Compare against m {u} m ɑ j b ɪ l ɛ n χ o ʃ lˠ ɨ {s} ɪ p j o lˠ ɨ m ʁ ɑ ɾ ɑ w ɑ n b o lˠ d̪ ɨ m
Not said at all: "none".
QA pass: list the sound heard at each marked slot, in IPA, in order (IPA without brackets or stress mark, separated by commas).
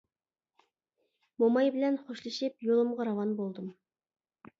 o, ʃ